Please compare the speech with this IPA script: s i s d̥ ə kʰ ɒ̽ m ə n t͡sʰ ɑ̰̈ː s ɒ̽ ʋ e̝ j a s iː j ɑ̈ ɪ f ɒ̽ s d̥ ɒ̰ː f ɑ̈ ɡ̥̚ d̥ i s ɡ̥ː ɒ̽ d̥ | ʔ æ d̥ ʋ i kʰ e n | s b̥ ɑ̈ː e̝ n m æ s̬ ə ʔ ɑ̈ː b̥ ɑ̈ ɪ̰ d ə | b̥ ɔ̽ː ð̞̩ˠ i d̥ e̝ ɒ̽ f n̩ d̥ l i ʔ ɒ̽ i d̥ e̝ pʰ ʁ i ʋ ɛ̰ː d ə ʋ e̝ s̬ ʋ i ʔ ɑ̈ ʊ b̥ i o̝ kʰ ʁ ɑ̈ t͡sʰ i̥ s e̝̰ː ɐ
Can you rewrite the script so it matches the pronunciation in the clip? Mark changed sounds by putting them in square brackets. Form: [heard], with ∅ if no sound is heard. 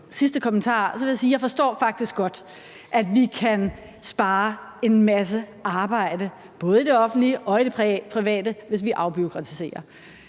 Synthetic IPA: s i s d̥ ə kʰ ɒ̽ m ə n t͡sʰ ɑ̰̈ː s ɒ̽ ʋ e̝ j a s iː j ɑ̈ ɪ f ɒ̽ s d̥ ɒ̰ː f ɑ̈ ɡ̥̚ d̥ i s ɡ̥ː ɒ̽ d̥ | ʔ æ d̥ ʋ i kʰ [æ] n | s b̥ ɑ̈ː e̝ n m æ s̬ ə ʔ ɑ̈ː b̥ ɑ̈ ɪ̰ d ə | b̥ ɔ̽ː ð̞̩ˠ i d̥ e̝ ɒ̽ f n̩ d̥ l i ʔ ɒ̽ i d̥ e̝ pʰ ʁ i ʋ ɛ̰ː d ə ʋ e̝ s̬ ʋ i ʔ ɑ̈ ʊ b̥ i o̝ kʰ ʁ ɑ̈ t͡sʰ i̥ s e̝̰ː ɐ